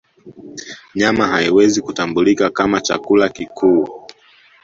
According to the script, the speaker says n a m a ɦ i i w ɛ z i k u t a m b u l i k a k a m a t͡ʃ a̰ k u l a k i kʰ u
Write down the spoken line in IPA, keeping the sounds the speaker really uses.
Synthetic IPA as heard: ɲ a m a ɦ a i w ɛ z i k u t a m b u l i k a k a m a t͡ʃ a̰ k u l a k i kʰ u